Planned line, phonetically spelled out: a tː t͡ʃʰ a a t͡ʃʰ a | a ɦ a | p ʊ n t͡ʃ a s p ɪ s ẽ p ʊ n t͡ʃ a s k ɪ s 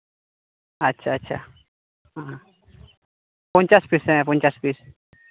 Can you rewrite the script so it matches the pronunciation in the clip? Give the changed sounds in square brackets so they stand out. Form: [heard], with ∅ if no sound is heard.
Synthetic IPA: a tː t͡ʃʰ a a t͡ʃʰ a | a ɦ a | p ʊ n t͡ʃ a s p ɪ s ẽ p ʊ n t͡ʃ a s [p] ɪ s